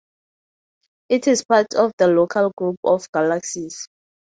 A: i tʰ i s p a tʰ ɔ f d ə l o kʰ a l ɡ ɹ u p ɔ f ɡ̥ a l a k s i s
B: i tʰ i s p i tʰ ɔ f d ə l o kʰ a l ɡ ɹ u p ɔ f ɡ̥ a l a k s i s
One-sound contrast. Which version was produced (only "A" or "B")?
A